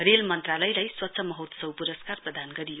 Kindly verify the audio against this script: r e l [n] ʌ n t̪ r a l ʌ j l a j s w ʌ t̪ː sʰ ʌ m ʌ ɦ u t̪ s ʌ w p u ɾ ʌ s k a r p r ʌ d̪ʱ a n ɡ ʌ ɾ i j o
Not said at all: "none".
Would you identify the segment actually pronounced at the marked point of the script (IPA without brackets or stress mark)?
m